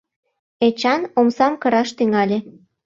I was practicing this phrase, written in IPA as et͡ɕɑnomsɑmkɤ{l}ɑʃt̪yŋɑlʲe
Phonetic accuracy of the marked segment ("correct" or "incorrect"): incorrect